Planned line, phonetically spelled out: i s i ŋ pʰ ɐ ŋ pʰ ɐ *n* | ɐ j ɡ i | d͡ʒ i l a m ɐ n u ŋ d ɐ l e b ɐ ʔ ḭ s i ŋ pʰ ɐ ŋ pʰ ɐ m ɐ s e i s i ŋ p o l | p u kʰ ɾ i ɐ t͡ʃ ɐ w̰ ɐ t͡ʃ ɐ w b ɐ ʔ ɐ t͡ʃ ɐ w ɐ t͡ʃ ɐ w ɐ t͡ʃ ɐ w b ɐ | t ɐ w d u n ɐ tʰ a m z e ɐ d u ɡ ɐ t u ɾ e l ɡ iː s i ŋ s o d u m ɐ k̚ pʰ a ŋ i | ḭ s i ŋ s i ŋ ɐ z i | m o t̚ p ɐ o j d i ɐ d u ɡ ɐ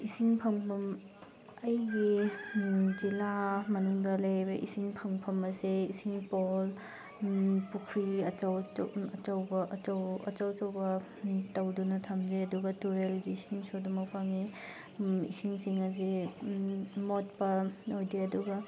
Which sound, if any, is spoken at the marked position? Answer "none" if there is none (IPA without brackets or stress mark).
m